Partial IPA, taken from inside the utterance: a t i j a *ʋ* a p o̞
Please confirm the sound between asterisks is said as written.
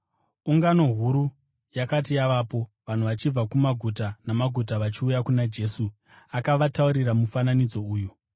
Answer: yes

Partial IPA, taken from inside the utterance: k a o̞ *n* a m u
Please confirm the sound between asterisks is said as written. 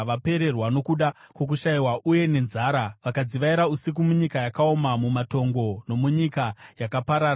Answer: no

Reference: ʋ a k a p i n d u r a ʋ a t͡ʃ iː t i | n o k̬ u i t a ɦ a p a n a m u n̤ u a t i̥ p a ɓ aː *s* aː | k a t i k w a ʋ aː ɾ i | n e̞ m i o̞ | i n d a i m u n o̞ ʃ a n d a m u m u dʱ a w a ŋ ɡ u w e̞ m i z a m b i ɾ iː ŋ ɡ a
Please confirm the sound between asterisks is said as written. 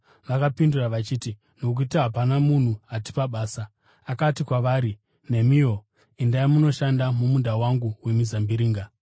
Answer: yes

